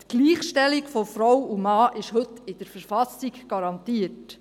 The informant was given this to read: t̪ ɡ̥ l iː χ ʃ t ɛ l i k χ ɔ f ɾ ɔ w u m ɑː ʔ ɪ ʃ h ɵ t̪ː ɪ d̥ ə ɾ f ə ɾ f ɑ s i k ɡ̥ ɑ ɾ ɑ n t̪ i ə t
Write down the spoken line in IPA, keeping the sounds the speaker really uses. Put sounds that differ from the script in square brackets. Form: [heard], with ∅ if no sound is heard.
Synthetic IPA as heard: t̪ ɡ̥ l iː χ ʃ t ɛ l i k [f] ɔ f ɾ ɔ w u m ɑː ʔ ɪ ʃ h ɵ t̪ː ɪ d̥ ə ɾ f ə ɾ f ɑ s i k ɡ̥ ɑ ɾ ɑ n t̪ i ə t